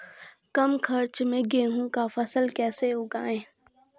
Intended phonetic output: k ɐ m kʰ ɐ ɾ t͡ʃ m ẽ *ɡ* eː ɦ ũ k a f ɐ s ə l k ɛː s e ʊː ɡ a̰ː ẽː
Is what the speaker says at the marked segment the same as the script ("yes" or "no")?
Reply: yes